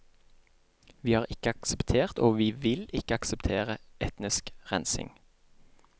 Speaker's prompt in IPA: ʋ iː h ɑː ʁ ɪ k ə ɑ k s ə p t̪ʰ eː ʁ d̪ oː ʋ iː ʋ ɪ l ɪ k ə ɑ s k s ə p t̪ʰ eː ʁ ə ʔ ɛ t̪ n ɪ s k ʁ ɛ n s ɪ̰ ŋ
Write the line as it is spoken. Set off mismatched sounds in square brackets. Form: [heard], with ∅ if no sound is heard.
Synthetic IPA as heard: ʋ iː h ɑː ʁ ɪ k ə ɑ k s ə p t̪ʰ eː ʁ [t̪] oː ʋ iː ʋ ɪ l ɪ k ə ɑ [∅] k s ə p t̪ʰ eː ʁ ə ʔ ɛ t̪ n ɪ s k ʁ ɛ n s ɪ̰ ŋ